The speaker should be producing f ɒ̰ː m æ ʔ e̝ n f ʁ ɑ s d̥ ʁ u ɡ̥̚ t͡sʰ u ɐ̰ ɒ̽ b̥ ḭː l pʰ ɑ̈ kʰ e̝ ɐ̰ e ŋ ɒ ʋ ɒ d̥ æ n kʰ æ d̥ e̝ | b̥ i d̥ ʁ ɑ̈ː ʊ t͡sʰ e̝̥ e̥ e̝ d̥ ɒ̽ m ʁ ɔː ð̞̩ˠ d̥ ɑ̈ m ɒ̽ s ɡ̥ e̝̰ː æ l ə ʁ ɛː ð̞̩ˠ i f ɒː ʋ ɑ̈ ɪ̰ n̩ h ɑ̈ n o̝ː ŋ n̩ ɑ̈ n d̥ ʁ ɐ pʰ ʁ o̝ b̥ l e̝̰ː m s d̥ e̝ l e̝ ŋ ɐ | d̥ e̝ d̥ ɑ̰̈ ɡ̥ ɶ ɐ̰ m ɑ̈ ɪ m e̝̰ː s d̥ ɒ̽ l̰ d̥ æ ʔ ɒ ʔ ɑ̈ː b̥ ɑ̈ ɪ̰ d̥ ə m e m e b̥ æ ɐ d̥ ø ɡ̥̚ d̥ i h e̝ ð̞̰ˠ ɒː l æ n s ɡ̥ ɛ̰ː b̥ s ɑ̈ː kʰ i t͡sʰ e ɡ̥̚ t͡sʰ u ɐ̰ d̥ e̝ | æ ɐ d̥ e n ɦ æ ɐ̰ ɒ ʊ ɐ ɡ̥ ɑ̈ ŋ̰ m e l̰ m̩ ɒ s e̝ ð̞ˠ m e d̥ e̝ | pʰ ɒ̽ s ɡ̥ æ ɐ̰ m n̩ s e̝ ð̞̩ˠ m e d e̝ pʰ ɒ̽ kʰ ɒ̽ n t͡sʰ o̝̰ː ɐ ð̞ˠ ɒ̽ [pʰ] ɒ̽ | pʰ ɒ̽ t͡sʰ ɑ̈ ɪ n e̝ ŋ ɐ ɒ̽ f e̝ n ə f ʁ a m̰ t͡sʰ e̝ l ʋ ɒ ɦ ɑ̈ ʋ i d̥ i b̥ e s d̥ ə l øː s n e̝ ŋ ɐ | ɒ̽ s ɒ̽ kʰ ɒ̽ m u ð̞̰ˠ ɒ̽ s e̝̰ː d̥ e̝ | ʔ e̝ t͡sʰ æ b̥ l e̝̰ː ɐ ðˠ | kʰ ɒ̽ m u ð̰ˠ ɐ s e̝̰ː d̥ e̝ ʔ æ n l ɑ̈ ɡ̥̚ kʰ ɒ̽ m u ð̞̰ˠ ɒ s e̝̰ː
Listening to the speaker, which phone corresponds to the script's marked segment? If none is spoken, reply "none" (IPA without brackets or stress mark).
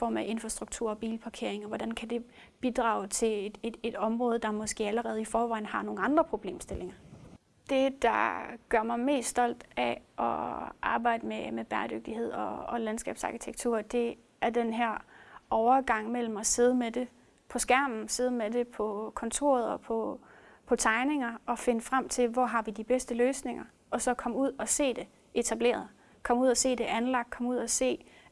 pʰ